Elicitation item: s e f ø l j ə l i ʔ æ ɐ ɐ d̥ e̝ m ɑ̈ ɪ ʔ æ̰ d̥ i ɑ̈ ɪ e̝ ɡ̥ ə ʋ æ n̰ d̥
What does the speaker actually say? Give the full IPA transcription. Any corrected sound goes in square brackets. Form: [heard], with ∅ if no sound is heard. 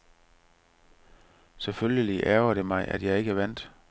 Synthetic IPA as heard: s e f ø l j ə l i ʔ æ ɐ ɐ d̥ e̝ m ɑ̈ ɪ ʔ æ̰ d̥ [j] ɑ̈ ɪ e̝ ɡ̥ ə ʋ æ n̰ d̥